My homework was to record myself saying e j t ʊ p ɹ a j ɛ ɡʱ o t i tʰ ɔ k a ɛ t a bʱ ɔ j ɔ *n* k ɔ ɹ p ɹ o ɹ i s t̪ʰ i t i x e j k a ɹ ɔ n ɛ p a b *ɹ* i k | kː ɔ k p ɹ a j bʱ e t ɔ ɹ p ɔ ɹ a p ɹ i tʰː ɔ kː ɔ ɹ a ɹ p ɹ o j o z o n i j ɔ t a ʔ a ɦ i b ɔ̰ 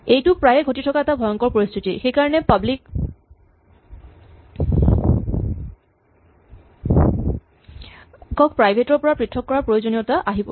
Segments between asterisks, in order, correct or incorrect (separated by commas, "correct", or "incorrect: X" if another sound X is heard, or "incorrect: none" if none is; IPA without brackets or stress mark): incorrect: ŋ, incorrect: l